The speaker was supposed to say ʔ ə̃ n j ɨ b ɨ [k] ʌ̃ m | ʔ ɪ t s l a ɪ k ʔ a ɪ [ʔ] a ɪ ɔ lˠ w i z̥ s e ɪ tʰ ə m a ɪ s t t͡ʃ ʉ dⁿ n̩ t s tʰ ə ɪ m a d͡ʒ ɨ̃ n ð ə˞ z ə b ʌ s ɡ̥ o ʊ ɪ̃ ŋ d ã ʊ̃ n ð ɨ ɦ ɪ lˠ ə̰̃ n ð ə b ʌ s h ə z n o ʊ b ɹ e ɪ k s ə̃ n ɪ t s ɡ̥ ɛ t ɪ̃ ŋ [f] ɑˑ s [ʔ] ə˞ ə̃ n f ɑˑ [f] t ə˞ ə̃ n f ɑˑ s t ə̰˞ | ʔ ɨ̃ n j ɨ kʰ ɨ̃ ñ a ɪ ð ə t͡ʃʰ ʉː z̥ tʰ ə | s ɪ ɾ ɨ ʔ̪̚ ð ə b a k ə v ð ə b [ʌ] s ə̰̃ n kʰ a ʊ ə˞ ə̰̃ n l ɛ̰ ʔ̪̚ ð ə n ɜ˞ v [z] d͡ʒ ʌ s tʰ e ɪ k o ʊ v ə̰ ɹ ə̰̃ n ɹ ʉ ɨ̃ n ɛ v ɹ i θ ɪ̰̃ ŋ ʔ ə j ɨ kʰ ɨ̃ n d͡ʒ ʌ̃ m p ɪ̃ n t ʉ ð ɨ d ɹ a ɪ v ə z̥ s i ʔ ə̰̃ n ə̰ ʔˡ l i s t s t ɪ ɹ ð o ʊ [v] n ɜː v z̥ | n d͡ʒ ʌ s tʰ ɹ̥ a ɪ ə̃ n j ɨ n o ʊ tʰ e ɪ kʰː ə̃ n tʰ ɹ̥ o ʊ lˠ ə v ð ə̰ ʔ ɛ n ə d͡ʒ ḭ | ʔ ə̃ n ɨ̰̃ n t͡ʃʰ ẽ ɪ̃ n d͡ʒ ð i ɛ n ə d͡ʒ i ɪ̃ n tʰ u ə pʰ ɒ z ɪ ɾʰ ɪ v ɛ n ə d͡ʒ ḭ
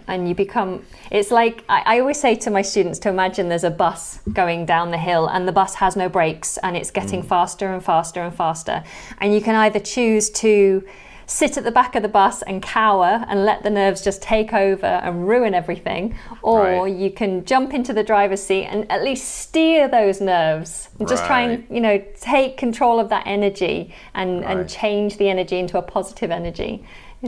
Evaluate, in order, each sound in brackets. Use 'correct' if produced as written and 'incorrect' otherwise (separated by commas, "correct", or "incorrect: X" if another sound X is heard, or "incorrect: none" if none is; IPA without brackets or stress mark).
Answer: incorrect: kʰ, correct, correct, incorrect: t, incorrect: s, correct, correct, incorrect: z